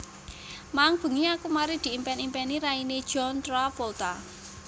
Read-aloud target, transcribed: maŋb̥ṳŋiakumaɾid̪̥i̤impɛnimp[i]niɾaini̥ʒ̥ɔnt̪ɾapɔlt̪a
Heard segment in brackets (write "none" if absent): ɛ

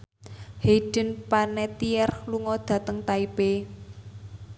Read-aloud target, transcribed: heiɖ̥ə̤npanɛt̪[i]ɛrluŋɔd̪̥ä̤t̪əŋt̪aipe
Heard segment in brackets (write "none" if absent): i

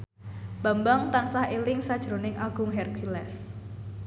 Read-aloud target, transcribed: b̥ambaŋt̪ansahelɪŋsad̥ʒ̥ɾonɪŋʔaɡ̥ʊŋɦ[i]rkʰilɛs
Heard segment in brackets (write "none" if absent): ɛ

